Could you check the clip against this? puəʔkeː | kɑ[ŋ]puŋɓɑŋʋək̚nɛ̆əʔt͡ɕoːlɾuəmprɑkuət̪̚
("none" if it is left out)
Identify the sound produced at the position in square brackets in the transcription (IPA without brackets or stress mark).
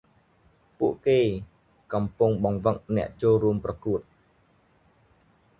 m